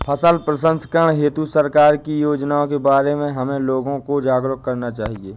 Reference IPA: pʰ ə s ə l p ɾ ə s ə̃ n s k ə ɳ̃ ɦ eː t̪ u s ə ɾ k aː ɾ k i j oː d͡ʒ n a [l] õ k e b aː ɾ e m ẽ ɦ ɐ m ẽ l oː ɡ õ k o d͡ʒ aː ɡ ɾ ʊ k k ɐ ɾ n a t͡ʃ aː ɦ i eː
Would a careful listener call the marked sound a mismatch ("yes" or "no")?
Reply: yes